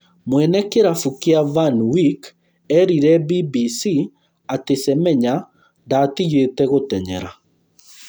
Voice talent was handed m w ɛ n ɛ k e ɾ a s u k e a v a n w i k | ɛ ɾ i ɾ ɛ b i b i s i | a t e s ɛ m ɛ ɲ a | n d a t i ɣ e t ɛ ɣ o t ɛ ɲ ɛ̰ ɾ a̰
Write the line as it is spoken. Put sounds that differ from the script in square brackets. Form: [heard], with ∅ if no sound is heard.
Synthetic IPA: m w ɛ n ɛ k e ɾ a [f] u k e a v a n w i k | ɛ ɾ i ɾ ɛ b i b i s i | a t e s ɛ m ɛ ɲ a | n d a t i ɣ e t ɛ ɣ o t ɛ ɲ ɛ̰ ɾ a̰